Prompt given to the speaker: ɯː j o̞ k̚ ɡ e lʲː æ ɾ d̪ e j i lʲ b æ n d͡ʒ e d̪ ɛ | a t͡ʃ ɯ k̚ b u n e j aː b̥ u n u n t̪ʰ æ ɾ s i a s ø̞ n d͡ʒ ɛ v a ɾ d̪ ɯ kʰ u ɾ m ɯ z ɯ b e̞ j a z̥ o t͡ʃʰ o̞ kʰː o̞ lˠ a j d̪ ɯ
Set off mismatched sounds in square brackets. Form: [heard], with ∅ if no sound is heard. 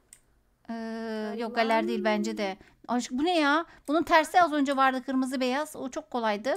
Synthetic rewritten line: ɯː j o̞ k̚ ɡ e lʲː æ ɾ d̪ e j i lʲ b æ n d͡ʒ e d̪ ɛ | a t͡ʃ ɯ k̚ b u n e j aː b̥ u n u n t̪ʰ æ ɾ s i a [z] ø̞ n d͡ʒ ɛ v a ɾ d̪ ɯ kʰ [ɯ] ɾ m ɯ z ɯ b e̞ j a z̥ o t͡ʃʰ o̞ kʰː o̞ lˠ a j d̪ ɯ

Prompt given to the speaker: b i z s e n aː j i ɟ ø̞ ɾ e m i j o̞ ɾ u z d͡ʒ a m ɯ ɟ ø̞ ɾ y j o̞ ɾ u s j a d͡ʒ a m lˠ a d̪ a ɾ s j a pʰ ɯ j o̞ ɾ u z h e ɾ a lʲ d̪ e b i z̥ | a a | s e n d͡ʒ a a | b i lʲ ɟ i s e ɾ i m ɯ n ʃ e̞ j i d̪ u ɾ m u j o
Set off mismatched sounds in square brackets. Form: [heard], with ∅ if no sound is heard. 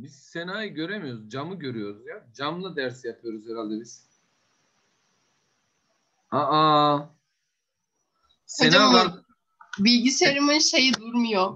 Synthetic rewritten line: b i z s e n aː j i ɟ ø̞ ɾ e m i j o̞ ɾ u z d͡ʒ a m ɯ ɟ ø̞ ɾ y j o̞ ɾ u [z] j a d͡ʒ a m lˠ a d̪ [æ] ɾ s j a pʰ ɯ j o̞ ɾ u z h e ɾ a lʲ d̪ e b i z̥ | a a | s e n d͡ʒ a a | b i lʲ ɟ i s e ɾ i m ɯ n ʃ e̞ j i d̪ u ɾ m u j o

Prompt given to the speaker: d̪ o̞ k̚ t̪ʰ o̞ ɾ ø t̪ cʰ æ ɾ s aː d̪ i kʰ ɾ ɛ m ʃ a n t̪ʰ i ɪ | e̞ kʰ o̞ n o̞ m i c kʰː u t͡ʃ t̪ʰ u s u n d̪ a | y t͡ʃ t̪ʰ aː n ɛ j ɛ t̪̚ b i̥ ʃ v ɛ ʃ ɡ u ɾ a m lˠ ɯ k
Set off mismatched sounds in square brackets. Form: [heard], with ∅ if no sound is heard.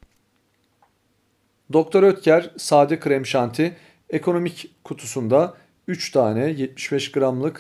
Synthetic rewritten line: d̪ o̞ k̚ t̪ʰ o̞ ɾ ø t̪ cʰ æ ɾ s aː d̪ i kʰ ɾ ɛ m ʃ a n t̪ʰ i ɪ | e̞ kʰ o̞ n o̞ m i c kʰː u [∅] t̪ʰ u s u n d̪ a | y t͡ʃ t̪ʰ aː n ɛ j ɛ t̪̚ [m] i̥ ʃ [b] ɛ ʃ ɡ [ɯ] ɾ a m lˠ ɯ k

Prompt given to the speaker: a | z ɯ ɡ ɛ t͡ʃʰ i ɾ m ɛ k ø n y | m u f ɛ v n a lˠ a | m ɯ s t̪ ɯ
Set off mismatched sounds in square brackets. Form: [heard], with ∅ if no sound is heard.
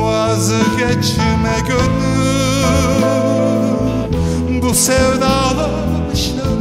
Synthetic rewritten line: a | z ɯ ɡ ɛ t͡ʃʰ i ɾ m ɛ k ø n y | [b] u [s] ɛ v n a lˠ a | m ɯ [ʃ] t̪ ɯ

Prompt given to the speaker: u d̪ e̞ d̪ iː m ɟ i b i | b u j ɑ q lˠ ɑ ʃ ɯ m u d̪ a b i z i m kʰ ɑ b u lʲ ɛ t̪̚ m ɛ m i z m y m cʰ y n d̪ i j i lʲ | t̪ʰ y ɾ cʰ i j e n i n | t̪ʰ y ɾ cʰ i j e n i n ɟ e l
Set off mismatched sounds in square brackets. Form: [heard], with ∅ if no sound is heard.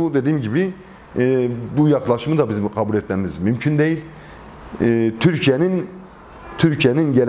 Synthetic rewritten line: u d̪ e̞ d̪ iː m ɟ i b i | b u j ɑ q lˠ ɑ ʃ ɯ m [ɯ] d̪ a b i z i m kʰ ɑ b u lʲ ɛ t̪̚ m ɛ m i z m y m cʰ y n d̪ [e] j i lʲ | t̪ʰ y ɾ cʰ i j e n i n | t̪ʰ y ɾ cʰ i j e n i n ɟ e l

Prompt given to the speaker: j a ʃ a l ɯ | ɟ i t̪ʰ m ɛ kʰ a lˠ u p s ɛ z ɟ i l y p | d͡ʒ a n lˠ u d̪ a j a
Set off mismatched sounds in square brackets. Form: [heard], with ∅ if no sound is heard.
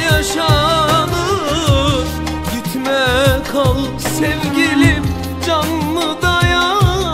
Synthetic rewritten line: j a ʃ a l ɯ | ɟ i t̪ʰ m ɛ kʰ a lˠ [ɯ] p s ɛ [v] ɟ i l [i] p | d͡ʒ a n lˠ [ɯ] d̪ a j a

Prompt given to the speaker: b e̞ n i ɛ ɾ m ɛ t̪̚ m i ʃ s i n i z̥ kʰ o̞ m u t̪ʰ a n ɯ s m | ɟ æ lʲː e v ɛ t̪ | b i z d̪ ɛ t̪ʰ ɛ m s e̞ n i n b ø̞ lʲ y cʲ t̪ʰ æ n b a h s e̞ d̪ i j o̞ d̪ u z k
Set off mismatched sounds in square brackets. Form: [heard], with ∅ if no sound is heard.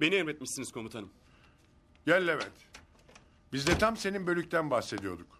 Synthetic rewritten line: b e̞ n i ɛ ɾ m ɛ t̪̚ m i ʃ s i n i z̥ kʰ o̞ m u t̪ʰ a n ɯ [∅] m | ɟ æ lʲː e v ɛ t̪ | b i z d̪ ɛ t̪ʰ [a] m s e̞ n i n b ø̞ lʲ y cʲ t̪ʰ æ n b a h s e̞ d̪ i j o̞ d̪ u [∅] k

